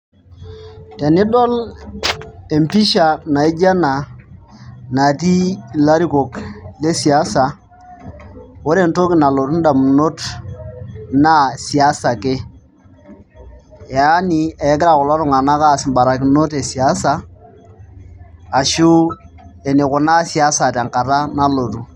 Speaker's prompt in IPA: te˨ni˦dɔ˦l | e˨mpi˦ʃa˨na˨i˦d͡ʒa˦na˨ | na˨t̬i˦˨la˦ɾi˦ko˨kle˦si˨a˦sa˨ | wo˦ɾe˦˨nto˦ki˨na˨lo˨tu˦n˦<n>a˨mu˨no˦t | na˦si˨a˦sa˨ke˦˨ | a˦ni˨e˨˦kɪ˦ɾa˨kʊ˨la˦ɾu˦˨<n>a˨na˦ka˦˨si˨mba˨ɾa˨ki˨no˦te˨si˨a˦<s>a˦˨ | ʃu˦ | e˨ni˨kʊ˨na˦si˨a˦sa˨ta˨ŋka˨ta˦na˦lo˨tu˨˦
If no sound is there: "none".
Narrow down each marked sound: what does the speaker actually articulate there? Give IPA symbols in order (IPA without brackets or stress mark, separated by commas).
d, ŋ, s